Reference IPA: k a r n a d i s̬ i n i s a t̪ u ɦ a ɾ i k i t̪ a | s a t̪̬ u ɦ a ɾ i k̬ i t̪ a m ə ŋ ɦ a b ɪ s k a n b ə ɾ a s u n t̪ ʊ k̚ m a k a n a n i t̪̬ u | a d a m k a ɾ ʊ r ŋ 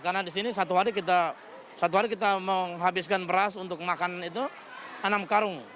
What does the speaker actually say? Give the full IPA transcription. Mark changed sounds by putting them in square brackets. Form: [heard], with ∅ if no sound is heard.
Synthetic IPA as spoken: k a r n a d i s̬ i n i s a t̪ u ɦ a ɾ i k i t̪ a | s a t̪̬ u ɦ a ɾ i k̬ i t̪ a m ə ŋ ɦ a b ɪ s k a n b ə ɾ a s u n t̪ ʊ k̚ m a k a n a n i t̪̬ u | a [n] a m k a ɾ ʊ [∅] ŋ